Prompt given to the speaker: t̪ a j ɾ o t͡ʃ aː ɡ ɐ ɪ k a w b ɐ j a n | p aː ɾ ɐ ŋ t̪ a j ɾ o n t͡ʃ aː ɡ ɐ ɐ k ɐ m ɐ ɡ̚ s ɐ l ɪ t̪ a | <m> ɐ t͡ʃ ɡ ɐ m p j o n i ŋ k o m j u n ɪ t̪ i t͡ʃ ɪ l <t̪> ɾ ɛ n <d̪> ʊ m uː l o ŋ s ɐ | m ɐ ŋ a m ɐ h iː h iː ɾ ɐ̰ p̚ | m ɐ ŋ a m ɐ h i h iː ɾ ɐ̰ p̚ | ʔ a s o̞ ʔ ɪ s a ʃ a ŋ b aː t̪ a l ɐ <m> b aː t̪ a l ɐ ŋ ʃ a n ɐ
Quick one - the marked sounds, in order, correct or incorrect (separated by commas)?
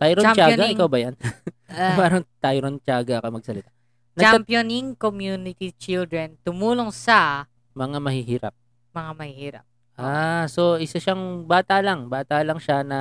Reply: incorrect, incorrect, incorrect, incorrect